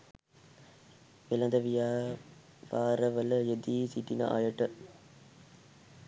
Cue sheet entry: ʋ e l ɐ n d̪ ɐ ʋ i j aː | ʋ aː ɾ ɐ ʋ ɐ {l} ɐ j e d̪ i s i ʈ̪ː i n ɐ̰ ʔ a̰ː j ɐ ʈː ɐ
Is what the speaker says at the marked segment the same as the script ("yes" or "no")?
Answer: yes